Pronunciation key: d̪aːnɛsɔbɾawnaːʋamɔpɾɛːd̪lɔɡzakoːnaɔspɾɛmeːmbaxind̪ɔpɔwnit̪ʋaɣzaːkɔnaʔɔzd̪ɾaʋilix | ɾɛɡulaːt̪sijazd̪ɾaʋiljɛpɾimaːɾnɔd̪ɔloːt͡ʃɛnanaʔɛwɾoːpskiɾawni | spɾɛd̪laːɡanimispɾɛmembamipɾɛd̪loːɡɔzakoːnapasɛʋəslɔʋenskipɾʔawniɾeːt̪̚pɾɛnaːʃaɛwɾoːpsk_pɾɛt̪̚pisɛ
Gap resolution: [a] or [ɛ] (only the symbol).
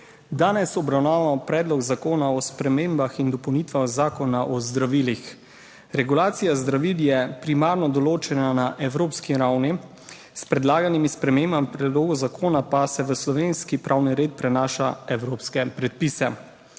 ɛ